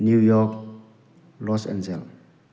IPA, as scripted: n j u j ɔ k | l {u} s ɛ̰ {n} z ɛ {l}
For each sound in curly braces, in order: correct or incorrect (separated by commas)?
incorrect, correct, correct